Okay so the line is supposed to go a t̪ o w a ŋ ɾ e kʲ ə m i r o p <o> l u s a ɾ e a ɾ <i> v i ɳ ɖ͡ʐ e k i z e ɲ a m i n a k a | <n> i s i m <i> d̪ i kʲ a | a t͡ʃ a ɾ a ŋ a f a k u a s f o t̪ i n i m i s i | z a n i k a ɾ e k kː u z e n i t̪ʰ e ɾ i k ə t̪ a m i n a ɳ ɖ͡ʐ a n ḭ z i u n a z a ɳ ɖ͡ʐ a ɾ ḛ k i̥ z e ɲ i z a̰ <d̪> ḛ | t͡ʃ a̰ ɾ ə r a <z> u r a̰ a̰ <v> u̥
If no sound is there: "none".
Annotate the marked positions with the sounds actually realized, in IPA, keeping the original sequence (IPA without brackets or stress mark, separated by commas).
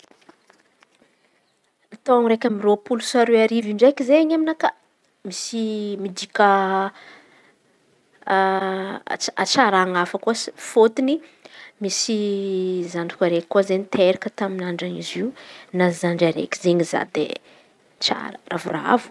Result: u, i, m, i, d̪, v, v